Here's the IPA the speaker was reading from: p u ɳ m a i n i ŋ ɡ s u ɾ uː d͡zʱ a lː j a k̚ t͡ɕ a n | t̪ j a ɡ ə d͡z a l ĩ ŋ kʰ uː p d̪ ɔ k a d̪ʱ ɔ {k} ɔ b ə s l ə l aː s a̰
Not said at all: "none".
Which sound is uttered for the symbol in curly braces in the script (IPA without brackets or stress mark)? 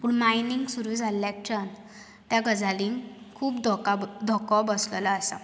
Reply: k